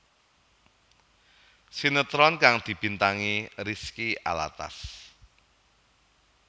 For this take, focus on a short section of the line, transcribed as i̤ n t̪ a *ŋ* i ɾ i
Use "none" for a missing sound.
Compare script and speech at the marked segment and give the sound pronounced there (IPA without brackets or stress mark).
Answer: ŋ